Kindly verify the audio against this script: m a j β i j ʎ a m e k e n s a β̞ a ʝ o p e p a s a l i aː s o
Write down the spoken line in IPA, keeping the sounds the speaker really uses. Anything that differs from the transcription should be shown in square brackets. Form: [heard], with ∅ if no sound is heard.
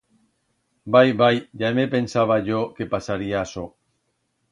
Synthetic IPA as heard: [b] a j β [a] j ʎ a m e [p] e n s a β̞ a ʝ o [k] e p a s a [ɾ] i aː s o

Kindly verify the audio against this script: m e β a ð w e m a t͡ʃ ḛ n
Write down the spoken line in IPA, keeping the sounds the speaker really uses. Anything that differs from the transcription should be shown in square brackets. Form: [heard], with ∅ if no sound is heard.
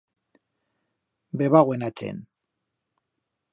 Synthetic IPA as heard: [b] e β a [ɣ] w e [n] a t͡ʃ ḛ n

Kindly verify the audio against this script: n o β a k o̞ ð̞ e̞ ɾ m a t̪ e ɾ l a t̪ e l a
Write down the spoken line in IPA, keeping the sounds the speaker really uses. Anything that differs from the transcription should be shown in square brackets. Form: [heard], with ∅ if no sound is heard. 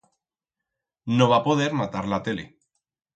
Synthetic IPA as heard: n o β a [p] o̞ ð̞ e̞ ɾ m a t̪ [a] ɾ l a t̪ e l [e]

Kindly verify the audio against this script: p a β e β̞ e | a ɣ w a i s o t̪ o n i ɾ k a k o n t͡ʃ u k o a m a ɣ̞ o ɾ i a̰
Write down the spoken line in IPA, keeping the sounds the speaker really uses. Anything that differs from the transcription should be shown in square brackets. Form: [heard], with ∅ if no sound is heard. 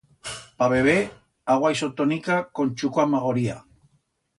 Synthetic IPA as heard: p a β e β̞ e | a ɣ w a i s o t̪ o n i [∅] k a k o n t͡ʃ u k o a m a ɣ̞ o ɾ i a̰

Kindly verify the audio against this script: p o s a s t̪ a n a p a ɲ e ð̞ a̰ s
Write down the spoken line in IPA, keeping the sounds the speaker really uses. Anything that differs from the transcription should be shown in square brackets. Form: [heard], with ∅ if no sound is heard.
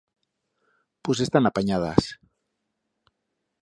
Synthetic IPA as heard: p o s [e] s t̪ a n a p a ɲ [a] ð̞ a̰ s

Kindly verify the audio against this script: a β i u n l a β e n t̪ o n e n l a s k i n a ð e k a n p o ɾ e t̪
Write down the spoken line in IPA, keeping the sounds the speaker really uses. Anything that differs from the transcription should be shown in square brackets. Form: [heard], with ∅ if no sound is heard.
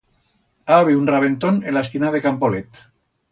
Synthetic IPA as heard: a β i u n [r] a β e n t̪ o n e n l a s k i n a ð e k a [m] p o [l] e t̪

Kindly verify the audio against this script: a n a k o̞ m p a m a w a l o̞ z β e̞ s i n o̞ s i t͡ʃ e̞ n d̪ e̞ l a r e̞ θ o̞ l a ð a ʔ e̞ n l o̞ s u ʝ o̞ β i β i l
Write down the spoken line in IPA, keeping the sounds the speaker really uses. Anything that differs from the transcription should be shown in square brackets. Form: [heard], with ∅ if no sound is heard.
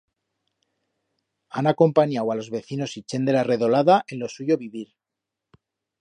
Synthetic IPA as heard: a n a k o̞ m p a [ɲ] a w a l o̞ z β e̞ [θ] i n o̞ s i t͡ʃ e̞ n d̪ e̞ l a r e̞ [ð] o̞ l a ð a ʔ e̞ n l o̞ s u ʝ o̞ β i β i [ɾ]

